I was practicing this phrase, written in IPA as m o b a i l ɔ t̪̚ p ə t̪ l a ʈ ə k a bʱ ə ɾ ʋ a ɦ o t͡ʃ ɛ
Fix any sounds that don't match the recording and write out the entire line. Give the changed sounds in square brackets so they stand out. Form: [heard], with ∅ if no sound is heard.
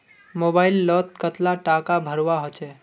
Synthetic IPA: m o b a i [lː] ɔ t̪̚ [k] ə t̪ l a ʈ [a] k a bʱ ə ɾ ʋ a ɦ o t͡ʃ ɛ

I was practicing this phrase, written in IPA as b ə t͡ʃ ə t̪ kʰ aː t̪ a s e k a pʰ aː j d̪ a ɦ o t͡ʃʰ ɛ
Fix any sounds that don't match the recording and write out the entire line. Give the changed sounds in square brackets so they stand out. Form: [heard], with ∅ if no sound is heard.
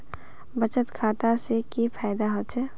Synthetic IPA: b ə t͡ʃ ə t̪ kʰ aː t̪ a s e k [i] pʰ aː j d̪ a ɦ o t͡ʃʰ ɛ

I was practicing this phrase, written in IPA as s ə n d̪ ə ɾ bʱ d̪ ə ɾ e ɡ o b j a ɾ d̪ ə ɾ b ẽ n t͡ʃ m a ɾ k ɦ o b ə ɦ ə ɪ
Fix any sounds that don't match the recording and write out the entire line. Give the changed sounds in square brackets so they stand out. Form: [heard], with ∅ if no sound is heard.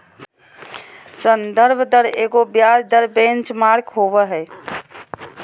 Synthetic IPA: s ə n d̪ ə ɾ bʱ d̪ ə ɾ e ɡ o b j a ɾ d̪ ə ɾ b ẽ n t͡ʃ m a ɾ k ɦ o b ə ɦ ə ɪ

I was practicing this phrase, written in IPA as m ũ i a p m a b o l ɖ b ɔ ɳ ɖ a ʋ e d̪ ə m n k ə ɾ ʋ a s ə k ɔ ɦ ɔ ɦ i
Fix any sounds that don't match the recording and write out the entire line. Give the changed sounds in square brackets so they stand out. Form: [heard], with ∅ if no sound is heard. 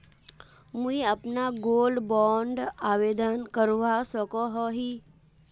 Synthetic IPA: m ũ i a p [n] a [ɡ] o l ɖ b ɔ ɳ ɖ a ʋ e d̪ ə [∅] n k ə ɾ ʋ a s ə k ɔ ɦ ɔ ɦ i

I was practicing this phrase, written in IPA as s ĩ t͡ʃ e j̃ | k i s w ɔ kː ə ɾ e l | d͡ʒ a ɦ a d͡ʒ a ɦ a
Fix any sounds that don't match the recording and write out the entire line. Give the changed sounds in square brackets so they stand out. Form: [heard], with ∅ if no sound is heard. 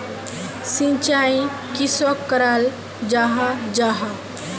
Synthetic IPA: s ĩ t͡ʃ [a] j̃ | k i s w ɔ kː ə ɾ [a] l | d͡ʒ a ɦ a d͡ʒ a ɦ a

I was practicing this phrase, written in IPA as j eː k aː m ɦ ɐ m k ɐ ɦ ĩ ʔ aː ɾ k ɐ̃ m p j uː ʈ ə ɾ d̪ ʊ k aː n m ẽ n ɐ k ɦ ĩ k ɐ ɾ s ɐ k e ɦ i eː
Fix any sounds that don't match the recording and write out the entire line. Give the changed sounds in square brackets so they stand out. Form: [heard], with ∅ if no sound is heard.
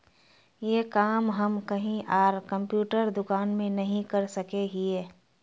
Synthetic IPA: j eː k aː m ɦ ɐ m k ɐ ɦ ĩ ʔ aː ɾ k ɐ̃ m p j uː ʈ ə ɾ d̪ ʊ k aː n m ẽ n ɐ [∅] ɦ ĩ k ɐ ɾ s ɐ k e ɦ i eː

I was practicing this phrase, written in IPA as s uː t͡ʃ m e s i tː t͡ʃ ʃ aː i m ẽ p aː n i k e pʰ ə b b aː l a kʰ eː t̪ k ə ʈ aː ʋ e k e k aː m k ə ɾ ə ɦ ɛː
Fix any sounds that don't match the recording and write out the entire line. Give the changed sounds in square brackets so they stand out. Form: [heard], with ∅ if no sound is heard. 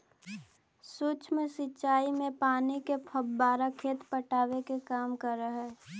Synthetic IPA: s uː t͡ʃ m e s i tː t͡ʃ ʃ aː i m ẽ p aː n i k e pʰ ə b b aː [ɾ] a kʰ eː t̪ [p] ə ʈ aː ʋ e k e k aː m k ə ɾ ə ɦ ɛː

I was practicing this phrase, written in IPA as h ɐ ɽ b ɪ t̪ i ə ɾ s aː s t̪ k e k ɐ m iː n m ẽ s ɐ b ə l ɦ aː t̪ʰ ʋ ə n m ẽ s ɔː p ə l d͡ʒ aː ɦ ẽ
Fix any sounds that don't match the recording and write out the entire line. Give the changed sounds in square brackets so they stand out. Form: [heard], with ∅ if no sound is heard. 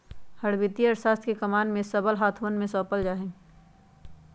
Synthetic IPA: h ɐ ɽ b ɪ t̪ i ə ɾ s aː s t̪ k e k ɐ m [aː] n m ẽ s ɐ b ə l ɦ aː t̪ʰ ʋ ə n m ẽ s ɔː p ə l d͡ʒ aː ɦ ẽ

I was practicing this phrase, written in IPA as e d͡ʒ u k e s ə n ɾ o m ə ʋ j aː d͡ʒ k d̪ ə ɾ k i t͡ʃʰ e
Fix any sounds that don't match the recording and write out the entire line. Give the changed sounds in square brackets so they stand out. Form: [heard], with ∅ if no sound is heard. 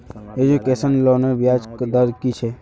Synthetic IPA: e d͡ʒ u k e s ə n [l] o [n] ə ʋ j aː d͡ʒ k d̪ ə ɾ k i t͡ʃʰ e

